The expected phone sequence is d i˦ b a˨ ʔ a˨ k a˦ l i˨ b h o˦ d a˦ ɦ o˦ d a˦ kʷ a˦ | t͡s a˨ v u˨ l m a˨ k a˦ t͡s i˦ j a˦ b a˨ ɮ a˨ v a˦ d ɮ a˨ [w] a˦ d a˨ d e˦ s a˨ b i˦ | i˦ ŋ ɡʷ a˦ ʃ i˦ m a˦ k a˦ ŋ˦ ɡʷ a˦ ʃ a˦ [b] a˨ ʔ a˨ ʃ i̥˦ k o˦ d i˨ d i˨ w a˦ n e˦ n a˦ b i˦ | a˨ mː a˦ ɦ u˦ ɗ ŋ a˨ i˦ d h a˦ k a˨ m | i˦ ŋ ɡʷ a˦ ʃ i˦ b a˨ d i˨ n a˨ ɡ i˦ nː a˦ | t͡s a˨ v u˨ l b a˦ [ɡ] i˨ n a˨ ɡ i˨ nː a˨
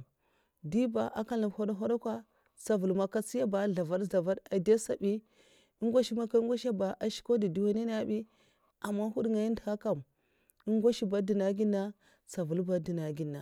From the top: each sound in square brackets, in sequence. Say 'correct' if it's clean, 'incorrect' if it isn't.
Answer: incorrect, correct, incorrect

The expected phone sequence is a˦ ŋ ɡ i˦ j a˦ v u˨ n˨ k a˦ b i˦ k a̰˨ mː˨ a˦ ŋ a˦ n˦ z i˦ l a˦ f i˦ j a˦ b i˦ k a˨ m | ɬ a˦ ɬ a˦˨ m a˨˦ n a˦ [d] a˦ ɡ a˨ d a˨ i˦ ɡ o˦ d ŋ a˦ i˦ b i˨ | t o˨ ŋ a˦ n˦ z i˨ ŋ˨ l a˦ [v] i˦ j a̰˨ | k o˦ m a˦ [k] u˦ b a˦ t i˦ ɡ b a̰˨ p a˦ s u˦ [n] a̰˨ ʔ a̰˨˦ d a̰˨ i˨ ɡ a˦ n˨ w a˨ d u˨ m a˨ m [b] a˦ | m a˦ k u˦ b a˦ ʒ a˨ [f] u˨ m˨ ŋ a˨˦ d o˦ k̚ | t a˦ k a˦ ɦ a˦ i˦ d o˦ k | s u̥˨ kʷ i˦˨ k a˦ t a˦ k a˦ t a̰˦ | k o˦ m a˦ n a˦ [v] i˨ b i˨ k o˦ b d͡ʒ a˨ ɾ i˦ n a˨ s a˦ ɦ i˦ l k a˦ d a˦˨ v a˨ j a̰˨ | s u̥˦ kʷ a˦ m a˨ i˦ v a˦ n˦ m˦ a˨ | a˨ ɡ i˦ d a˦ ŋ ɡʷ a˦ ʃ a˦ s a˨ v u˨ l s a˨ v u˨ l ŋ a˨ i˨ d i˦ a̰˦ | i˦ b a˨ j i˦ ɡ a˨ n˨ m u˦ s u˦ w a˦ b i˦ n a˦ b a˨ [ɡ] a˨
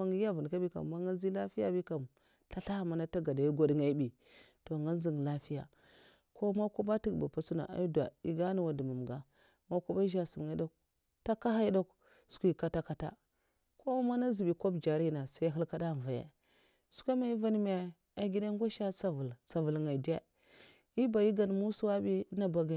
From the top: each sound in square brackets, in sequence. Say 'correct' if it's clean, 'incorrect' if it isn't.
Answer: incorrect, incorrect, correct, correct, incorrect, incorrect, incorrect, correct

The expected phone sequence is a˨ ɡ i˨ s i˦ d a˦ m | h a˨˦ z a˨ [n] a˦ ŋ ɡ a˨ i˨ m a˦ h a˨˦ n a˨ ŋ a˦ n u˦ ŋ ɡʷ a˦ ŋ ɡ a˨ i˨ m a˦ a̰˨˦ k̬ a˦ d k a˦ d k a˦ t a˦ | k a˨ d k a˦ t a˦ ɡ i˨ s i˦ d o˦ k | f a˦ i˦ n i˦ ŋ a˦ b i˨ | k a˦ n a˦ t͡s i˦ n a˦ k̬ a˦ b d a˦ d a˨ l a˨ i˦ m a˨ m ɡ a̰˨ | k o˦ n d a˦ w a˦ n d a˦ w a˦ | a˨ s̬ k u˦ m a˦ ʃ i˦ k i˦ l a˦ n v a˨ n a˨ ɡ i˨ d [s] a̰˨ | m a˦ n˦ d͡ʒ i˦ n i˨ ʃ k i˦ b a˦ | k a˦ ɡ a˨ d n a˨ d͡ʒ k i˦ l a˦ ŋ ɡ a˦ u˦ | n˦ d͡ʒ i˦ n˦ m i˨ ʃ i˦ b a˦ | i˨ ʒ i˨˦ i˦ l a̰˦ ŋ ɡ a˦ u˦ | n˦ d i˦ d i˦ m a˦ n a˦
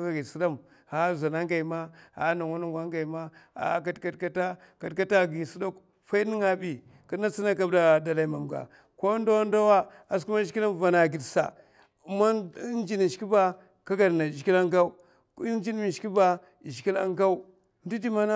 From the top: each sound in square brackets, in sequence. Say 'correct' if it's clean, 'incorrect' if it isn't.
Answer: correct, correct

